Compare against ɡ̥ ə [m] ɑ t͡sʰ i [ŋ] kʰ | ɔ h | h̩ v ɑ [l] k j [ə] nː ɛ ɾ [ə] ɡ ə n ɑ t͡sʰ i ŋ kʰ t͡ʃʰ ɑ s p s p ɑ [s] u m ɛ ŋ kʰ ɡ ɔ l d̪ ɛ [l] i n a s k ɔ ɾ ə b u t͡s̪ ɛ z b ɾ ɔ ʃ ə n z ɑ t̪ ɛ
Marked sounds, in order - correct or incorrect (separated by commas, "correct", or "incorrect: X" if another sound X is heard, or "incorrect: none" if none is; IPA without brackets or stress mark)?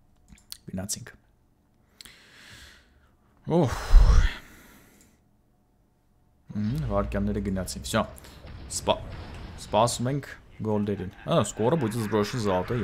incorrect: n, correct, incorrect: ɾ, incorrect: ɑ, correct, correct, incorrect: ɾ